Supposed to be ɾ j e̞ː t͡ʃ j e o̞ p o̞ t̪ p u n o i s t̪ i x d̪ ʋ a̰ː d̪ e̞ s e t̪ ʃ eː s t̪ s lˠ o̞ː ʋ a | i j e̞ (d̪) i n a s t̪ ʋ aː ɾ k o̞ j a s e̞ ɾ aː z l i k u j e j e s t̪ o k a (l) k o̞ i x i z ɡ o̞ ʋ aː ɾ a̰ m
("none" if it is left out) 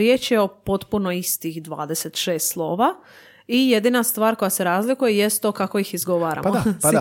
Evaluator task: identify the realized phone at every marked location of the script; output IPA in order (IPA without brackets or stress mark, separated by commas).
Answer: d̪, none